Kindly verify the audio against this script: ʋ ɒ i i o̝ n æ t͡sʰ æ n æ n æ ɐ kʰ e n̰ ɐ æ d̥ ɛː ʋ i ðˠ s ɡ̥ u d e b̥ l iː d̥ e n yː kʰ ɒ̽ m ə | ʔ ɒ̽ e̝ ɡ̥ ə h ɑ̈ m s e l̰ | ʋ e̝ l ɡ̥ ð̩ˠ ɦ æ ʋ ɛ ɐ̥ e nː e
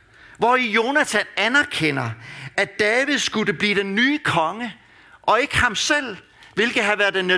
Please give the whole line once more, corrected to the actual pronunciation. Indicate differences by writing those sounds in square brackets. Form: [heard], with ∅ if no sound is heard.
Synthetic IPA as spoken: ʋ ɒ i [j] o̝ n æ t͡sʰ æ n æ n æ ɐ kʰ e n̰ ɐ æ d̥ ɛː ʋ i ðˠ s ɡ̥ u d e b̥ l iː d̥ e [nː] yː kʰ ɒ̽ [ŋ] ə | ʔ ɒ̽ e̝ ɡ̥ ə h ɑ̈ m s e l̰ | ʋ e̝ l ɡ̥ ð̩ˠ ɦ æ ʋ [æ] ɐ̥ e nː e